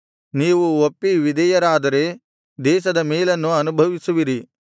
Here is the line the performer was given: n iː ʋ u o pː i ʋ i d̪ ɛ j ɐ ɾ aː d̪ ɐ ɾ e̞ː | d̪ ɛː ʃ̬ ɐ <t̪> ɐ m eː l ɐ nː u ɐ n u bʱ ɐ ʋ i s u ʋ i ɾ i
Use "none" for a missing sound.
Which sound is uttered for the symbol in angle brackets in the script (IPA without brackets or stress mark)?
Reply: d̪